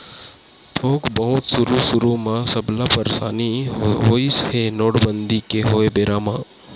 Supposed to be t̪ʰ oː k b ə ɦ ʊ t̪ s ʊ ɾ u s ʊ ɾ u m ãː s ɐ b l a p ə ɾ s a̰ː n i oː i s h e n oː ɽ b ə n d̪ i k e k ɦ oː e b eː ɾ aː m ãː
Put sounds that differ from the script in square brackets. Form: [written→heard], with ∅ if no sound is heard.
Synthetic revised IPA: t̪ʰ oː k b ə ɦ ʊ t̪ s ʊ ɾ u s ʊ ɾ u m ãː s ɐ b l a p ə ɾ s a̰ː n i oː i s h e n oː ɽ b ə n d̪ i k e [k→∅] ɦ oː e b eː ɾ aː m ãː